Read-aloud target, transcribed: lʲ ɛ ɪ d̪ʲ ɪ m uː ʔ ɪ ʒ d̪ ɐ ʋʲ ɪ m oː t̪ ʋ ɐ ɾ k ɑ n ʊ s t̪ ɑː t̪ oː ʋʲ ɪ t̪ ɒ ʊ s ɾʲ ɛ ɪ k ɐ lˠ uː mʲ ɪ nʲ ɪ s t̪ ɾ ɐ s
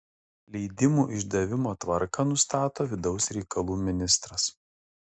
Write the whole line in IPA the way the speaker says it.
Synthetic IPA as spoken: lʲ ɛ ɪ d̪ʲ ɪ m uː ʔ ɪ ʒ d̪ ɐ ʋʲ ɪ m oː t̪ ʋ ɐ ɾ k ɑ n ʊ s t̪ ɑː t̪ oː ʋʲ ɪ d̪ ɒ ʊ s ɾʲ ɛ ɪ k ɐ lˠ uː mʲ ɪ nʲ ɪ s t̪ ɾ ɐ s